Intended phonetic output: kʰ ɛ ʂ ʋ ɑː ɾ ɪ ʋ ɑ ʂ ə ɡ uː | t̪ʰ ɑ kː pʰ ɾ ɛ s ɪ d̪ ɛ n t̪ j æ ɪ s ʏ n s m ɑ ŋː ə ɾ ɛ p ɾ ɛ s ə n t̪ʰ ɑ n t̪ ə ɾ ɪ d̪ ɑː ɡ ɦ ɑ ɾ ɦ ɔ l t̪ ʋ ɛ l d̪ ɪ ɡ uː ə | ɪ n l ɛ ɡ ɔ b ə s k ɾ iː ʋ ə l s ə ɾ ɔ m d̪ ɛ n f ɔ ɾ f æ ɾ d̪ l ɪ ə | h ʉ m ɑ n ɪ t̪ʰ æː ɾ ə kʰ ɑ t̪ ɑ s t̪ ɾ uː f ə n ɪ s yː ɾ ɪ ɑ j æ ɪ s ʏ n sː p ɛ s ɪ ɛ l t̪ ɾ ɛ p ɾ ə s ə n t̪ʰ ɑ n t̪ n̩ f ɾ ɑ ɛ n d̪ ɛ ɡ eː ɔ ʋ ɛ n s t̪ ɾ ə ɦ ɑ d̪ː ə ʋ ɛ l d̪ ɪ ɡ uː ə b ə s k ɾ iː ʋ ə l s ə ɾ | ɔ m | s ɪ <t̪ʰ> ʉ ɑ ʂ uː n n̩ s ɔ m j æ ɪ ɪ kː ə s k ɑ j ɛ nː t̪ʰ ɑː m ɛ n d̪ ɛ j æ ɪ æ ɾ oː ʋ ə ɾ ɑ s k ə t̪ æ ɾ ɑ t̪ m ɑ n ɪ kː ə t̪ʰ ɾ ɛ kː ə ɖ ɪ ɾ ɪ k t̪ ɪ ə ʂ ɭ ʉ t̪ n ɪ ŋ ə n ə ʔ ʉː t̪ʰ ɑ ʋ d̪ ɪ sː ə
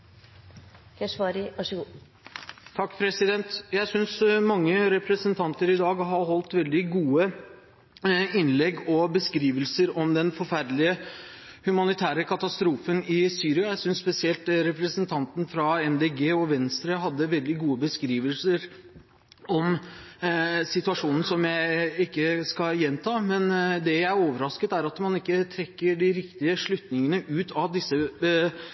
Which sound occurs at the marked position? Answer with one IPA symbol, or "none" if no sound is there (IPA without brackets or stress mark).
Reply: t̪